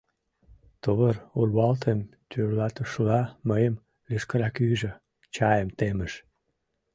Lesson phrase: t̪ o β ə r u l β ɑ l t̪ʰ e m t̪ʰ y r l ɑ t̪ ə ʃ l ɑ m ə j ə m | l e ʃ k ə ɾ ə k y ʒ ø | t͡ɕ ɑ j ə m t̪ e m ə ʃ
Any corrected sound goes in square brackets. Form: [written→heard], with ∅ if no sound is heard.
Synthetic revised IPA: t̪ o β ə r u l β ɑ l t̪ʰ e m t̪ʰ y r l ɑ t̪ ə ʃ l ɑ m ə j ə m | l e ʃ k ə ɾ [ə→ɑ] k y ʒ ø | t͡ɕ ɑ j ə m t̪ e m ə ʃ